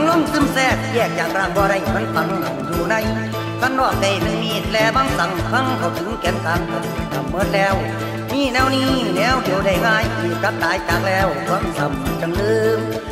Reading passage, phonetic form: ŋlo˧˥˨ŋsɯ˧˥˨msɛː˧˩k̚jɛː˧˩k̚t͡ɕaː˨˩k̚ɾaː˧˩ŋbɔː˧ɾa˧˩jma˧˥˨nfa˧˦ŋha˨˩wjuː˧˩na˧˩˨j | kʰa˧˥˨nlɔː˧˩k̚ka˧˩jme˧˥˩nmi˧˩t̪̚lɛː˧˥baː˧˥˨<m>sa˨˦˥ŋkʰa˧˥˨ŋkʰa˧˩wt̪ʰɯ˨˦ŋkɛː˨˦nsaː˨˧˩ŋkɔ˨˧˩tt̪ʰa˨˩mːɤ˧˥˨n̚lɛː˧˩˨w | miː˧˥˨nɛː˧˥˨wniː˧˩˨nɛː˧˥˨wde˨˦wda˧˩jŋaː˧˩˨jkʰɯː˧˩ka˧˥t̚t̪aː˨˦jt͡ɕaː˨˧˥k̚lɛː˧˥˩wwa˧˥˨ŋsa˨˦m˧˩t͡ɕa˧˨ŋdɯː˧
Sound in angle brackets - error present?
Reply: yes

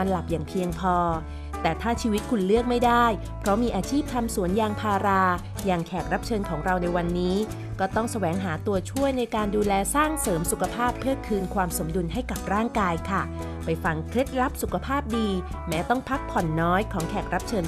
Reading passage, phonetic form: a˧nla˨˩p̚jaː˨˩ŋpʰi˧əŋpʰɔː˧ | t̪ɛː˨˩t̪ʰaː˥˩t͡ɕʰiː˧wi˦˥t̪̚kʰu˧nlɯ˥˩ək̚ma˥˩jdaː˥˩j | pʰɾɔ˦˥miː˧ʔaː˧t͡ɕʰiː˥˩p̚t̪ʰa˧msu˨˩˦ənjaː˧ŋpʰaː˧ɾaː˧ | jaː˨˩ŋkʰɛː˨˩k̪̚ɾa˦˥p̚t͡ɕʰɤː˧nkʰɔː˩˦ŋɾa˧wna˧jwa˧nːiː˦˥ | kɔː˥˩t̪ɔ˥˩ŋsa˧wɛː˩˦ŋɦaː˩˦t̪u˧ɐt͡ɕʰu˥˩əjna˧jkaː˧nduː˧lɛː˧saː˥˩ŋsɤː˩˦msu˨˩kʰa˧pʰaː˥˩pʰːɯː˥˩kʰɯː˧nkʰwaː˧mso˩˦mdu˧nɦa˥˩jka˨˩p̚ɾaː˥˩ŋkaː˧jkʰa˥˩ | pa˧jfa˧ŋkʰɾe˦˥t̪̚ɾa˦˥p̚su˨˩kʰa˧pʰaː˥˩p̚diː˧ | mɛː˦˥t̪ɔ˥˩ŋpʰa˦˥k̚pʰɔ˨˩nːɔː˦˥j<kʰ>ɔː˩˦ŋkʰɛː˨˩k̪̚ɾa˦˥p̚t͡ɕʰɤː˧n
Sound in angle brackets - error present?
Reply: no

